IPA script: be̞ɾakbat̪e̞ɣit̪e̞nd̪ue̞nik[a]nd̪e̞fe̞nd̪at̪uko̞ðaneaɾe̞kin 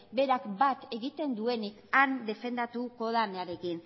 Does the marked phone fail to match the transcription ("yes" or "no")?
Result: no